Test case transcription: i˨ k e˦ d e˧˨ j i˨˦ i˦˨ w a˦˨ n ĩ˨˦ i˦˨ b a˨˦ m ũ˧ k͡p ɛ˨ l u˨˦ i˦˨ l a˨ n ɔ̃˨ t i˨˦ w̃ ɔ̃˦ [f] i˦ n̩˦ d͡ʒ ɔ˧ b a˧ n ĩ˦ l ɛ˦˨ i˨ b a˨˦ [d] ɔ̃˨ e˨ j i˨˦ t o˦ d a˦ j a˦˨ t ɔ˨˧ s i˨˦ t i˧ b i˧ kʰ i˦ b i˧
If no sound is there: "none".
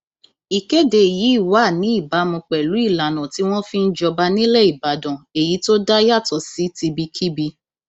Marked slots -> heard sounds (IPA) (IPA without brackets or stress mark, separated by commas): f, d